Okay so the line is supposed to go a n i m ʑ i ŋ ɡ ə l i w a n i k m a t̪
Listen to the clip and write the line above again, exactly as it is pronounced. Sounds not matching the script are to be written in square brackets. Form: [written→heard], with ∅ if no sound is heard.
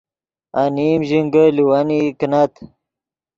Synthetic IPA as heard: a n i m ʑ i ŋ ɡ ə l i w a n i k [m→n] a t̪